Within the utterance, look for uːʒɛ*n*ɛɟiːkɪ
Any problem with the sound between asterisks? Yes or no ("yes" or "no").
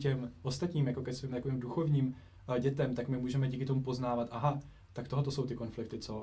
yes